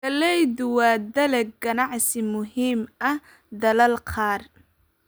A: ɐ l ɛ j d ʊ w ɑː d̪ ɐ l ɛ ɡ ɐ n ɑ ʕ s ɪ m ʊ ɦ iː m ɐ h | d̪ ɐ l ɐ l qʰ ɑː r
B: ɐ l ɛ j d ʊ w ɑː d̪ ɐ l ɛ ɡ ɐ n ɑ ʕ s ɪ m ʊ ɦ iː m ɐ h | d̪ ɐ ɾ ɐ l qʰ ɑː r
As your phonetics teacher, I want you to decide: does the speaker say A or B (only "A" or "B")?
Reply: A